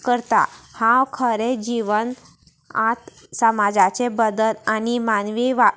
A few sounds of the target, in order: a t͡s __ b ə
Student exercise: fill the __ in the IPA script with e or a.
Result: e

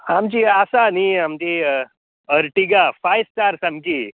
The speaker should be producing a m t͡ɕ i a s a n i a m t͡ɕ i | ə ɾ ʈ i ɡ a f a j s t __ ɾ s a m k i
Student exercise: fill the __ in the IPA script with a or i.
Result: a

